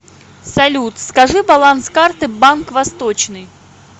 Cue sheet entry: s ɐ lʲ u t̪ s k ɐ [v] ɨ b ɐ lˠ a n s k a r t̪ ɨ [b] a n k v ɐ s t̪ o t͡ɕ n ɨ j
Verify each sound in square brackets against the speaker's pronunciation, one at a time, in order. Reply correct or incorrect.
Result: incorrect: ʐ, correct

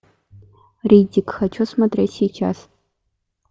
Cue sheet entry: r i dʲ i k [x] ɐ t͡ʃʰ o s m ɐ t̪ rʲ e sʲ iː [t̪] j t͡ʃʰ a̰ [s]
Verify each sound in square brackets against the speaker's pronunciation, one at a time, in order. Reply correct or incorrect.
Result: correct, incorrect: none, correct

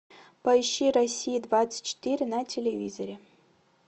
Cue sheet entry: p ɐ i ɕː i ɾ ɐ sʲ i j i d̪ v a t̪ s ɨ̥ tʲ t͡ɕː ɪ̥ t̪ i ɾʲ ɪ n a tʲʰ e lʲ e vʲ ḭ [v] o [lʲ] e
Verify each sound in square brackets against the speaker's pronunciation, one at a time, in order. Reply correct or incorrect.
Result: incorrect: z, incorrect: ɾʲ

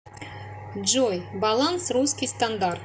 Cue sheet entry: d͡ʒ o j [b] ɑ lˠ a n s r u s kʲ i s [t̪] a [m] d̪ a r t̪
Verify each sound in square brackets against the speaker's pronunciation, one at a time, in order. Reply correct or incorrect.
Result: correct, correct, incorrect: n

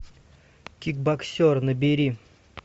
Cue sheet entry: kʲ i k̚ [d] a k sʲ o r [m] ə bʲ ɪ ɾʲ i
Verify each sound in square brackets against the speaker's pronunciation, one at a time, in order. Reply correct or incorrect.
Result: incorrect: b, incorrect: n

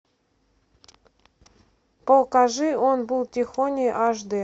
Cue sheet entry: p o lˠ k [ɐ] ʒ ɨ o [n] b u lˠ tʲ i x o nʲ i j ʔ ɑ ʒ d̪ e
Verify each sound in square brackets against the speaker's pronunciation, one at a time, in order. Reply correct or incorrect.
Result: incorrect: ɑ, correct

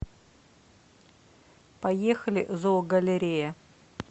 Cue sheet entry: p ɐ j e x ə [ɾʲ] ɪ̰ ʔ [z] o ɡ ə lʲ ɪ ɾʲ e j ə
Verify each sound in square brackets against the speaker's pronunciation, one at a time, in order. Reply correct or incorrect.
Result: incorrect: lʲ, correct

